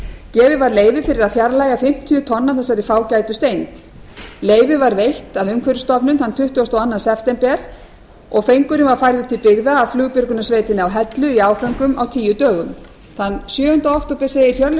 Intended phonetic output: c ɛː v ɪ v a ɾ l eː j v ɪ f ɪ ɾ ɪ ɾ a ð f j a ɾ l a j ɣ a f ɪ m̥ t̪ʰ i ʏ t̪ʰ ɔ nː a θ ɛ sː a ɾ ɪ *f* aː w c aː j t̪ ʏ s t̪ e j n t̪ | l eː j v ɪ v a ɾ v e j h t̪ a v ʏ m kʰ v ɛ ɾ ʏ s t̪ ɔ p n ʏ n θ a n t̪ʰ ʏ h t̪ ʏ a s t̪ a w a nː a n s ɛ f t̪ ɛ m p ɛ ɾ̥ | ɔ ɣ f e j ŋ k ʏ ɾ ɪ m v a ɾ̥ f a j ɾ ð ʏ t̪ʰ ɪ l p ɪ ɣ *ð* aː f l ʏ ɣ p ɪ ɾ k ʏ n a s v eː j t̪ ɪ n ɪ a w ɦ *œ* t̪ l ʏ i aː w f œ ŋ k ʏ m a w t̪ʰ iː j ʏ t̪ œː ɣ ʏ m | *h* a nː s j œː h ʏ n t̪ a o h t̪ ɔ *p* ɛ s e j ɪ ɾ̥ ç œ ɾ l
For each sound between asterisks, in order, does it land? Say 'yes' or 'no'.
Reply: yes, yes, no, no, yes

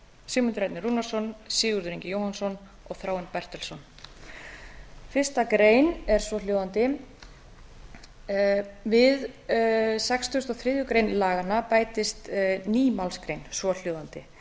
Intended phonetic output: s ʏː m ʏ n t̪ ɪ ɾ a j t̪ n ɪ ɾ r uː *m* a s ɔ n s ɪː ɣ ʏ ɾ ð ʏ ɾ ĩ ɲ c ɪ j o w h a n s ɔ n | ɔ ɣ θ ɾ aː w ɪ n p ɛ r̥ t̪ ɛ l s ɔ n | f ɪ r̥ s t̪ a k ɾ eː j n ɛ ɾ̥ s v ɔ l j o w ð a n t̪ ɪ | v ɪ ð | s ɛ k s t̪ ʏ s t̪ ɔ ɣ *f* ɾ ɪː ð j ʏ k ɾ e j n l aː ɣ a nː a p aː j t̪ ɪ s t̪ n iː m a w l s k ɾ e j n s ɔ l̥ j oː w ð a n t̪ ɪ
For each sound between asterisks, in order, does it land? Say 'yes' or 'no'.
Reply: no, no

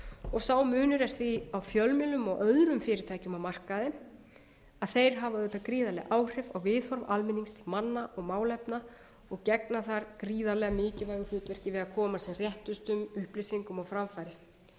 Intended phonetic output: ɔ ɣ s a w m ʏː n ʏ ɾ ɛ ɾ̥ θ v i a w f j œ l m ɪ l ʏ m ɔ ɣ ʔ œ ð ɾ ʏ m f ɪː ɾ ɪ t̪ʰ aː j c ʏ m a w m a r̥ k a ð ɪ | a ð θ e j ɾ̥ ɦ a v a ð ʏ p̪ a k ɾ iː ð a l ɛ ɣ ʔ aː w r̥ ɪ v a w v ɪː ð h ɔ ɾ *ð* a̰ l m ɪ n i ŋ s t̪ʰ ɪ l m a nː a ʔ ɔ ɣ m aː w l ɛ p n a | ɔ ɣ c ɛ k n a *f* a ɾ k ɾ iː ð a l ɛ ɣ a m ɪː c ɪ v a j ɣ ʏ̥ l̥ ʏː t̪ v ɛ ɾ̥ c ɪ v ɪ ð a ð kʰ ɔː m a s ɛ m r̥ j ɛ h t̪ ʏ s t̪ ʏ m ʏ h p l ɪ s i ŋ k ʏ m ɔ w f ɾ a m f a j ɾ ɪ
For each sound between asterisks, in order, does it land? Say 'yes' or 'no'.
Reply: no, no

